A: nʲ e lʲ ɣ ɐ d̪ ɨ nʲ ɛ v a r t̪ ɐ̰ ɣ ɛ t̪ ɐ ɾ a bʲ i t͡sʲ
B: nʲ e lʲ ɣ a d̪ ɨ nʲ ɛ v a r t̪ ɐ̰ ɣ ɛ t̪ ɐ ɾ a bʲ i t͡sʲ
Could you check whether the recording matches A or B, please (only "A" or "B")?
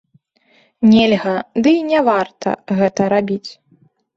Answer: A